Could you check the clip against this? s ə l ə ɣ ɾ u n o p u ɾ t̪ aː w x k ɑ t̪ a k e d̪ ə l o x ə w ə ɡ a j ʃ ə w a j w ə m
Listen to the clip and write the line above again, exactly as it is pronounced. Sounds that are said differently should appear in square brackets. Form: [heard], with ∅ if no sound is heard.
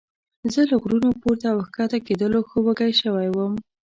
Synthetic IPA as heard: [z] ə l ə ɣ ɾ u n o p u ɾ t̪ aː w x k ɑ t̪ a k e d̪ ə l o x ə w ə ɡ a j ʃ ə w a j w ə m